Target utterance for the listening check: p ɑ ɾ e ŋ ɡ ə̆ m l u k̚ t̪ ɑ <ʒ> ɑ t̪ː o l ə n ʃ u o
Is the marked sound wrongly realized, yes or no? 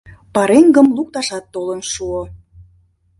yes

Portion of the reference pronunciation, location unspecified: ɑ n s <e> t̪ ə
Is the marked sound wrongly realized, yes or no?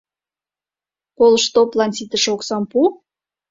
yes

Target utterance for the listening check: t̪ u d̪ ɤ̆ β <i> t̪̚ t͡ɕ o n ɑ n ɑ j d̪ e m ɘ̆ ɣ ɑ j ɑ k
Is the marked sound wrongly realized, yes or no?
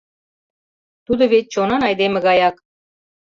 yes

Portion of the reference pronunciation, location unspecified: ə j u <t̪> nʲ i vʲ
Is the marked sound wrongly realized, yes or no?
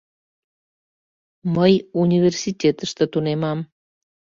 yes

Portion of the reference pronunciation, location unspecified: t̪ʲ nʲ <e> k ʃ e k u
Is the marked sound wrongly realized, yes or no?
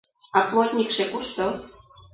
yes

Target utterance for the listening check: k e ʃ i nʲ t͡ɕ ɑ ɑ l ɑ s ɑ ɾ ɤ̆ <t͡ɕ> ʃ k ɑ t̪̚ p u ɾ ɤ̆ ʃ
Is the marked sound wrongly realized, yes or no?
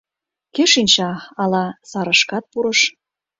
yes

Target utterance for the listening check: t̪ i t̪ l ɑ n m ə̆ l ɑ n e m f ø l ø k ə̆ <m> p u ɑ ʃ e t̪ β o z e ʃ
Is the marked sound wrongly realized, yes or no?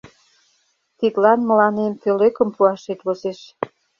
no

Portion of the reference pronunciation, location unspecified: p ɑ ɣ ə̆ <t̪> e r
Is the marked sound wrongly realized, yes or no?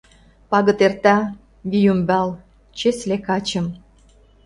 no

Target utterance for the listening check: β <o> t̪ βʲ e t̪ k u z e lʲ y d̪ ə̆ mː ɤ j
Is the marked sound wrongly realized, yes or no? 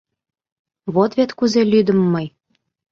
no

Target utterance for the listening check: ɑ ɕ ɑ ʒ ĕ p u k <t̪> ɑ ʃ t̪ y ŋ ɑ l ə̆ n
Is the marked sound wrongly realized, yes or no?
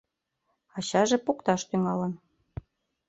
no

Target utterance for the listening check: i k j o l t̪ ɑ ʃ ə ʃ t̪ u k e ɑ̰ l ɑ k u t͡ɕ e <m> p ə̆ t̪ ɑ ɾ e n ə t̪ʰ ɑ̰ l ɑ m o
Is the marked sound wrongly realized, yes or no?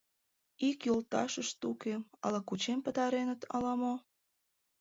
no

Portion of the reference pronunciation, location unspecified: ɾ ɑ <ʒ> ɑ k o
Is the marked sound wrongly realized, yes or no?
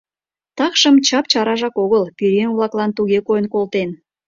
no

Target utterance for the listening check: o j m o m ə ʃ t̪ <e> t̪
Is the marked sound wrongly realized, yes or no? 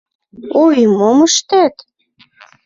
yes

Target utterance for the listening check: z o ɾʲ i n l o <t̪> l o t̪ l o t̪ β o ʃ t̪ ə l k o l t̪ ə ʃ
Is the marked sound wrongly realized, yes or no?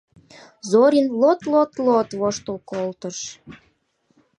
no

